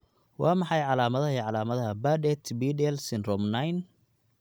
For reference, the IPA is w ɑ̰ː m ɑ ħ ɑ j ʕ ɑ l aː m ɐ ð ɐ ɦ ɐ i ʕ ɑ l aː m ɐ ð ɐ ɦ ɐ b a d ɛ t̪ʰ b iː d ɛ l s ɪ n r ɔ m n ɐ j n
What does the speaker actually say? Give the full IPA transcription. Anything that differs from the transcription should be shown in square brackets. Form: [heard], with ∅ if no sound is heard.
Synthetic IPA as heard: w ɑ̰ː m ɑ ħ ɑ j ʕ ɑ l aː m ɐ ð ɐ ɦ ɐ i ʕ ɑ l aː m ɐ ð ɐ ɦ ɐ b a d ɛ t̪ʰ b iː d ɛ l s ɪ n r ɔ m n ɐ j n